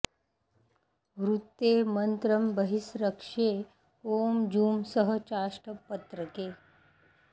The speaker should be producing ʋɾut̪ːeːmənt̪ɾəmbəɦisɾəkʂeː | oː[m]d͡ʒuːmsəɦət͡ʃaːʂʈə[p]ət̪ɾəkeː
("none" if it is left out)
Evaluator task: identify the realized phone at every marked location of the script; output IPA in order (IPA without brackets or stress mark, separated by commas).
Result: m, p